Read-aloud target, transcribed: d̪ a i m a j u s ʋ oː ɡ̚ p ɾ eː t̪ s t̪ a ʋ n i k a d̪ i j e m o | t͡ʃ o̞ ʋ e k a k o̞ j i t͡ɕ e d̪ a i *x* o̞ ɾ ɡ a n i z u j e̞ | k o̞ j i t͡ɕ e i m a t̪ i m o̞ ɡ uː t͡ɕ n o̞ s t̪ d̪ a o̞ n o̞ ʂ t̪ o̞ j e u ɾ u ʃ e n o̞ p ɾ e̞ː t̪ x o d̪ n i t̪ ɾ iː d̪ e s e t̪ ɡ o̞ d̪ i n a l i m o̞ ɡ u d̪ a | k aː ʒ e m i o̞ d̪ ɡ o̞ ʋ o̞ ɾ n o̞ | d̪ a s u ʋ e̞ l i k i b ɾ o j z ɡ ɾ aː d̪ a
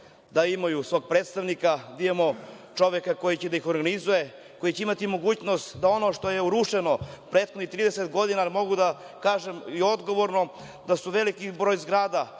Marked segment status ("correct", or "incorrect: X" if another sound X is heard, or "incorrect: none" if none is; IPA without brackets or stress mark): correct